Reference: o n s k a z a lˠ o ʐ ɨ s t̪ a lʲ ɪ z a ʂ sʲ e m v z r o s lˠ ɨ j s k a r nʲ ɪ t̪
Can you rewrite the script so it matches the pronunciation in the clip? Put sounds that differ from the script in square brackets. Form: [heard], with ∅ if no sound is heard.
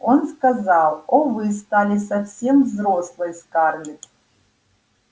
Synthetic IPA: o n s k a z a lˠ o [v] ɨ s t̪ a lʲ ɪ [s] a [f] sʲ e m v z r o s lˠ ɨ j s k a r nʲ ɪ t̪